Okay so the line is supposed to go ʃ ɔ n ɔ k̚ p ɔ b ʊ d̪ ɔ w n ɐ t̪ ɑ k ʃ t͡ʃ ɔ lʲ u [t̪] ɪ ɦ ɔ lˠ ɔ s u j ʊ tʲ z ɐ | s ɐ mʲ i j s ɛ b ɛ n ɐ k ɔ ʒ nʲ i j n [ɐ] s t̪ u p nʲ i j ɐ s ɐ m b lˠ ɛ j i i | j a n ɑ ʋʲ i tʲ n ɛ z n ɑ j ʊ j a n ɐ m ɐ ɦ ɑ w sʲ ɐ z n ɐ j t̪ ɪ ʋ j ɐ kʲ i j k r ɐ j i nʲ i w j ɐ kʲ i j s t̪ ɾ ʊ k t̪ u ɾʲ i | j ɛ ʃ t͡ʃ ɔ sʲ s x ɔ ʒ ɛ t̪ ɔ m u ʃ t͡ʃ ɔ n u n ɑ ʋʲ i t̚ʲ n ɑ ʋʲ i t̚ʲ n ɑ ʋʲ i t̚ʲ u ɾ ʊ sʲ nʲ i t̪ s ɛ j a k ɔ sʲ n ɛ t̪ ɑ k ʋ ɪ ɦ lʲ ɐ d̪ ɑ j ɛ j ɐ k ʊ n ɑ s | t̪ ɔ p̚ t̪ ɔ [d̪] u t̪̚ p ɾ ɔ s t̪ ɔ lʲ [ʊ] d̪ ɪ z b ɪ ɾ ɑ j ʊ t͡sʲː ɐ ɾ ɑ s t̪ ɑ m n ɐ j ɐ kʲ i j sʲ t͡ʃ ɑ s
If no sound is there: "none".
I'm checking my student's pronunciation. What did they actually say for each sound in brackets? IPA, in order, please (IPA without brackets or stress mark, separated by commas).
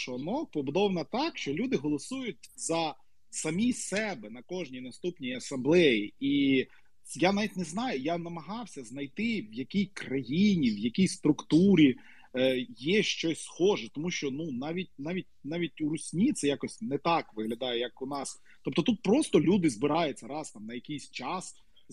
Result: d̪, ɐ, t̪, u